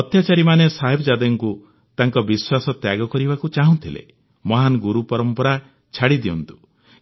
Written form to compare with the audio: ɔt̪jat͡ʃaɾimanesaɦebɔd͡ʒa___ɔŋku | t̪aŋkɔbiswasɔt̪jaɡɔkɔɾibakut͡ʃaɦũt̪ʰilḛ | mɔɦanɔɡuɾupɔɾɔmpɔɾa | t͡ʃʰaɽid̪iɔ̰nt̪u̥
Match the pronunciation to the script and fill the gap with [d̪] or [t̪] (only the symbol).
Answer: d̪